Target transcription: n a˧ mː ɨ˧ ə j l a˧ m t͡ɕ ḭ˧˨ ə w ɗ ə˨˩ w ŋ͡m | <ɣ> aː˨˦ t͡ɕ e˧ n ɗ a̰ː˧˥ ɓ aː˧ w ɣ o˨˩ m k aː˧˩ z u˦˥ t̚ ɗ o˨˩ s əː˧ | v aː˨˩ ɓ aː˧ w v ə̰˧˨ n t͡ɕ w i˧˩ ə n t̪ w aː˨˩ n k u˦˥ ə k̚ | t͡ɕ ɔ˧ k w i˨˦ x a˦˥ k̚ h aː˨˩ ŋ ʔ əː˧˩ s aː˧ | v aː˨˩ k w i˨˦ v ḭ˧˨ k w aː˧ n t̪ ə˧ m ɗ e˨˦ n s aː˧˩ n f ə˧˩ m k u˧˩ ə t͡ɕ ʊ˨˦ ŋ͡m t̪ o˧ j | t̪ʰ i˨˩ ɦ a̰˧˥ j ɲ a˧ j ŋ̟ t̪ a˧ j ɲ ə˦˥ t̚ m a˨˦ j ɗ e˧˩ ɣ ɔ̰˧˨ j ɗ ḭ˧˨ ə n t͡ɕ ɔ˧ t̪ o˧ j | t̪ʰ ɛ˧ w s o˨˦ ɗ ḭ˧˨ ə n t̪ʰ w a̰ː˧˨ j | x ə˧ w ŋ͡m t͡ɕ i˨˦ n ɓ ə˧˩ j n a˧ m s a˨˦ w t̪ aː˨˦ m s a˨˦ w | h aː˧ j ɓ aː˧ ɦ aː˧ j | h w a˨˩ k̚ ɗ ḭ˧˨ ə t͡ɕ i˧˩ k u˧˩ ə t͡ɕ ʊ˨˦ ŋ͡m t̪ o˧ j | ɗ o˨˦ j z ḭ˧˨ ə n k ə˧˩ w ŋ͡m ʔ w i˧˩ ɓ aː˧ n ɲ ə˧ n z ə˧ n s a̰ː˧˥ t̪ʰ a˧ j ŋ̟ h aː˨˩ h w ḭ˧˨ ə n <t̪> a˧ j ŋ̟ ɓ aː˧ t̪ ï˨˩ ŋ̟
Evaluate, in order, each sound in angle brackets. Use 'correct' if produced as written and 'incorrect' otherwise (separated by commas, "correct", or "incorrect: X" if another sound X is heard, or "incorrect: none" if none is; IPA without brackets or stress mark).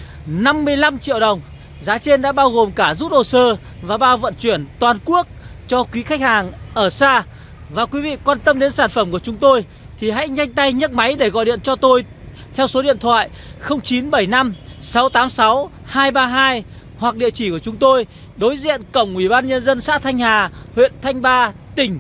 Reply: incorrect: z, incorrect: t̪ʰ